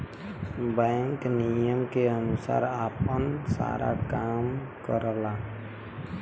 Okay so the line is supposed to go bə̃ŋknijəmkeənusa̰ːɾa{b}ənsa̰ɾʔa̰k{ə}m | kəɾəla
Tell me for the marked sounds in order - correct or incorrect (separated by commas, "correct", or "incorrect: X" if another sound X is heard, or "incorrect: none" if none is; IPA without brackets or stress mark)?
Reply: incorrect: p, incorrect: a